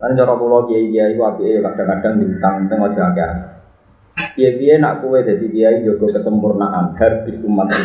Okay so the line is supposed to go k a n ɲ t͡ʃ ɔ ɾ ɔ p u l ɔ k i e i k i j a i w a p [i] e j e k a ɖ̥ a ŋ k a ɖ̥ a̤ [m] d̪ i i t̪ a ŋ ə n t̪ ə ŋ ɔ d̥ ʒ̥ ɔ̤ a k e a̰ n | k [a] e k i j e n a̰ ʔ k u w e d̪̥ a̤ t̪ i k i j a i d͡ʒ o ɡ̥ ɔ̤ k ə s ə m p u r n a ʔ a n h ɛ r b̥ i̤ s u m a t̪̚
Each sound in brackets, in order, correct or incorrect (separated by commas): correct, incorrect, incorrect